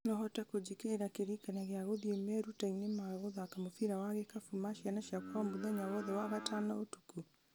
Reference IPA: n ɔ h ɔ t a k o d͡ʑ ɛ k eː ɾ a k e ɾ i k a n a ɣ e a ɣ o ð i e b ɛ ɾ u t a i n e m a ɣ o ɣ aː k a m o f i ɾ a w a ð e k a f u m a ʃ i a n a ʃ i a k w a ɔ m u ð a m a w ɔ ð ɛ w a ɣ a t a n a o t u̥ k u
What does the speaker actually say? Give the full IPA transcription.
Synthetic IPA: n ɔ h ɔ t a k o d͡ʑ i k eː ɾ a k e ɾ i k a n a ɣ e a ɣ o ð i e m ɛ ɾ u t a i n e m a ɣ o ð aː k a m o f i ɾ a w a ɣ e k a f u m a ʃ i a n a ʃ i a k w a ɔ m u ð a ɲ a w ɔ ð ɛ w a ɣ a t a n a o t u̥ k u